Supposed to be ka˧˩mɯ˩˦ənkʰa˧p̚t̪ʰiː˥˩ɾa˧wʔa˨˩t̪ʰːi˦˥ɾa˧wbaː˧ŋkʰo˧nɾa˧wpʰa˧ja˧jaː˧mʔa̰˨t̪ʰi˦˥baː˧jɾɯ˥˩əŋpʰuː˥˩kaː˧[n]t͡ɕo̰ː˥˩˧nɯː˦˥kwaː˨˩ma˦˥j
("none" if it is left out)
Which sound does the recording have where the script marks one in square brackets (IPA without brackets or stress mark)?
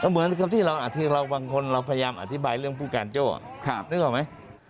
n